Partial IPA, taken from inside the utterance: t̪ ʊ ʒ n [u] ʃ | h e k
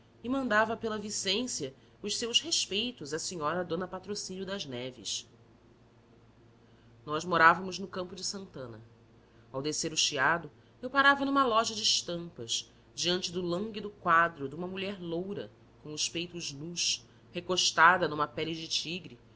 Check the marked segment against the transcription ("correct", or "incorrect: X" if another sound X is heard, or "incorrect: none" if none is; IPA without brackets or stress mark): correct